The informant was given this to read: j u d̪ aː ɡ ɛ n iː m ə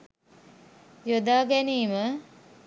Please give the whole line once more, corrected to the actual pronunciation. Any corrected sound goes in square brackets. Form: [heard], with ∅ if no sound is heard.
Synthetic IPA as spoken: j [o] d̪ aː ɡ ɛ n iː m ə